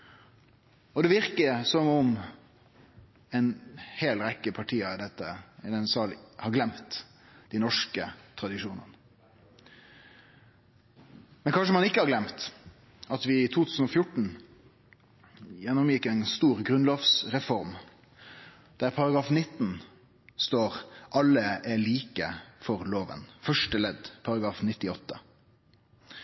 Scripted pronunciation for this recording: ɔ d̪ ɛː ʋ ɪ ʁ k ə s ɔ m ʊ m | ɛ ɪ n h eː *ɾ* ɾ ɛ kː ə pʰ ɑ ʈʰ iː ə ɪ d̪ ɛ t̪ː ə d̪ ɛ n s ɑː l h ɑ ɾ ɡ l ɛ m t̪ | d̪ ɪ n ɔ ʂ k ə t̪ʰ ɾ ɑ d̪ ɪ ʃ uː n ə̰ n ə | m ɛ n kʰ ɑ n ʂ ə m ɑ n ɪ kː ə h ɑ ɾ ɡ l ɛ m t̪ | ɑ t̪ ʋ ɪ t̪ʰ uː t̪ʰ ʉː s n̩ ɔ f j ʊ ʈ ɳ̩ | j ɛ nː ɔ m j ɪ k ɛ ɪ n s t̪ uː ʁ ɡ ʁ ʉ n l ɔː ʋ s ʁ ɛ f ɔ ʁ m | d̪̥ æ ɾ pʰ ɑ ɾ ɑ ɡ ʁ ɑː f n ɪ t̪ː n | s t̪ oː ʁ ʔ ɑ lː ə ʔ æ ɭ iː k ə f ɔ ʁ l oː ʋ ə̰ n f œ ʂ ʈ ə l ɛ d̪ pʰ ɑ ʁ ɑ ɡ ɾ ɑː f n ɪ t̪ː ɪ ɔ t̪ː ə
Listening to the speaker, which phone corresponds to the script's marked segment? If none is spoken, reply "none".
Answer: l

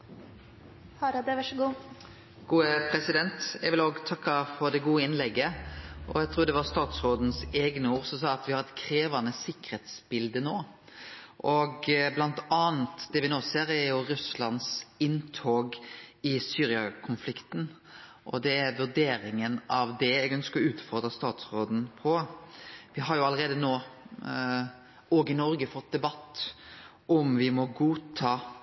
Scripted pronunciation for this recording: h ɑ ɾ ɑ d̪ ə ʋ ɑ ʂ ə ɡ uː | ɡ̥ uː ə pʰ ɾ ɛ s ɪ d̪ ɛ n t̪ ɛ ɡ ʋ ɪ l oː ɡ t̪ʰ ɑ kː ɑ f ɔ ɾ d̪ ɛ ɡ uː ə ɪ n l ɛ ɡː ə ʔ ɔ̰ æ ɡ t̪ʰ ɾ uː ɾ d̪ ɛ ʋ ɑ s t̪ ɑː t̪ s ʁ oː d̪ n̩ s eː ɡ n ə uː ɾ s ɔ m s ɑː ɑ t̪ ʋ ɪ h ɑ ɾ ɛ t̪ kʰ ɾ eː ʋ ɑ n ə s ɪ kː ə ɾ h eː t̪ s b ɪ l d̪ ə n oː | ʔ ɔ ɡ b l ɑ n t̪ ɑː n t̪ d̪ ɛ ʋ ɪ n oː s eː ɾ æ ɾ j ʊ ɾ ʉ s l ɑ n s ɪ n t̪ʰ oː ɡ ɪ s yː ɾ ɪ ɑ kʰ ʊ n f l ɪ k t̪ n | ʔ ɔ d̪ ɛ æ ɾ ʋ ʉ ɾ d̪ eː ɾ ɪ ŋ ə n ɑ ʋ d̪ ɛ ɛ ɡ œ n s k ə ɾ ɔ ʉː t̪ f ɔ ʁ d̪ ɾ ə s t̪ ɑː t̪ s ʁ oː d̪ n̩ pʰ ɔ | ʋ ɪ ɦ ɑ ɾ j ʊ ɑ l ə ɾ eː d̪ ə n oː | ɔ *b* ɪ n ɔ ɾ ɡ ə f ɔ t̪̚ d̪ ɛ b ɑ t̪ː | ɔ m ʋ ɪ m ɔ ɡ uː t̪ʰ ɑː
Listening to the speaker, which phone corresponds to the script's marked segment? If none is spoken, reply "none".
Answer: ɡ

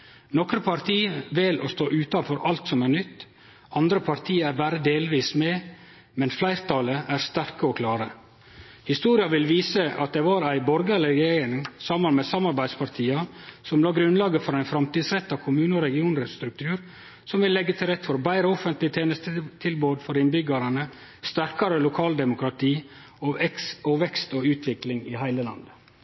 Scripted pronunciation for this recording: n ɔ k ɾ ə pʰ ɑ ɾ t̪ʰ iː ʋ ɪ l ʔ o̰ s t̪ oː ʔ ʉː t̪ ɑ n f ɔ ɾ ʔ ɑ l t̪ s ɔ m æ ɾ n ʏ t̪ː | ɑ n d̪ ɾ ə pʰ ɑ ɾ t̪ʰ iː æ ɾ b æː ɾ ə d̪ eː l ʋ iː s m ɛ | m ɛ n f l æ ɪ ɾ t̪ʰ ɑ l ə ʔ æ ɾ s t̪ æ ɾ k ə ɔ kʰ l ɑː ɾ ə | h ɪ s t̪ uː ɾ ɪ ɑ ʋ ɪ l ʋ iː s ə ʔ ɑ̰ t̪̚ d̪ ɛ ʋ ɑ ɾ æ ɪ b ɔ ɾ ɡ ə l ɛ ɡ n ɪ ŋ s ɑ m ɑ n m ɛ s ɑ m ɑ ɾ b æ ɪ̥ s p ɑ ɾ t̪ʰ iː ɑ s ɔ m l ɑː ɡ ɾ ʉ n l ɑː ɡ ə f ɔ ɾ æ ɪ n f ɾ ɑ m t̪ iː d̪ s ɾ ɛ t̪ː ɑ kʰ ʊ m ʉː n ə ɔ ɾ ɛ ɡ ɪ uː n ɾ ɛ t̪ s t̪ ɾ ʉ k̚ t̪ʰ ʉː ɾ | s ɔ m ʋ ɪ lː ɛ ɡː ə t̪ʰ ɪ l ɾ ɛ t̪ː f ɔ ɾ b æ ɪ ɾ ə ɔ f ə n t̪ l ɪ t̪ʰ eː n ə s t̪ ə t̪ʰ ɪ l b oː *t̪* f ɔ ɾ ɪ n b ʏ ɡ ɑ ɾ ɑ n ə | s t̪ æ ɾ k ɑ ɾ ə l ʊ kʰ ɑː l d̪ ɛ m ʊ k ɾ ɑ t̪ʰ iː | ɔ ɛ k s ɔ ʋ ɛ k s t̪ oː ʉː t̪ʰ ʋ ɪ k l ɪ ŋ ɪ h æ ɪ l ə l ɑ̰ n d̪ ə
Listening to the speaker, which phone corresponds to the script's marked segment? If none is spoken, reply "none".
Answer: d̪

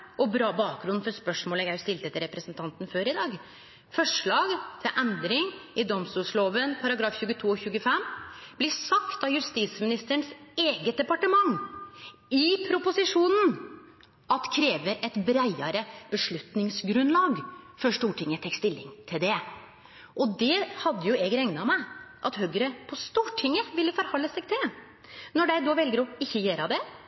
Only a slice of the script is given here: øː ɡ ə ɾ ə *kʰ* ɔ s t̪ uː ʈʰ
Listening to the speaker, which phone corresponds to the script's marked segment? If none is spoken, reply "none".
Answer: pʰ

